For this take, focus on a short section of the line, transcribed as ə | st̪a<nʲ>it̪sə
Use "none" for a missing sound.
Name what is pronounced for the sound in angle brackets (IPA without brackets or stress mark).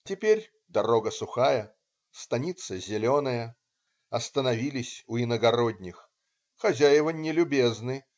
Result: nʲ